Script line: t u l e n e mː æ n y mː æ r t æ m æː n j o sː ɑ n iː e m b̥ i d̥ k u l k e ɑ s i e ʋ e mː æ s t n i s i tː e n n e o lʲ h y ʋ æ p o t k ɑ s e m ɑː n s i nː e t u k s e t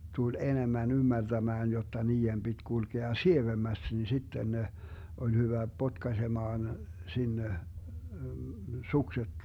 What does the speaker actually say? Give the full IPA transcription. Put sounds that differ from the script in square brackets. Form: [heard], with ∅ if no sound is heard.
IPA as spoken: t u l e n e mː æ n y mː æ r t æ m æː n j o [tː] ɑ n iː e m b̥ i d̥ k u l k e ɑ s i e ʋ e mː æ s t n i s i tː e n n e o lʲ h y ʋ æ p o t k ɑ s e m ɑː n s i nː e [s] u k s e t